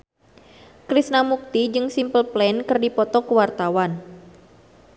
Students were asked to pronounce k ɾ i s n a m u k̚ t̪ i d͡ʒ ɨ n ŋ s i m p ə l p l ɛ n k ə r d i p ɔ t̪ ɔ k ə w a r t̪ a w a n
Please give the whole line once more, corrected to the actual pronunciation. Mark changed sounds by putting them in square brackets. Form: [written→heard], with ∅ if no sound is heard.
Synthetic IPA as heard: k ɾ i s n a m u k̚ t̪ i d͡ʒ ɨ [n→∅] ŋ s i m p ə l p l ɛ n k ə r d i p ɔ t̪ ɔ k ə w a r t̪ a w a n